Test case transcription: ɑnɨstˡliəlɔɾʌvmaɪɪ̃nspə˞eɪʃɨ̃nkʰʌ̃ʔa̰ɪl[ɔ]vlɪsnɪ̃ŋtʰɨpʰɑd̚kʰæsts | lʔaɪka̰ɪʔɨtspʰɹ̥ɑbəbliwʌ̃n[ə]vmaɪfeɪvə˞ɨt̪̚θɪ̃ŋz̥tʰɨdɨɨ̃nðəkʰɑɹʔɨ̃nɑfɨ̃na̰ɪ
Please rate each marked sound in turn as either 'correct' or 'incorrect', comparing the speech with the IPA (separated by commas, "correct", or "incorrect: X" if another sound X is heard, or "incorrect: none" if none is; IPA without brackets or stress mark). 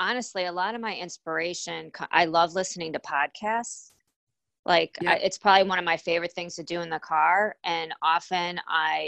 incorrect: ʌ, incorrect: ʌ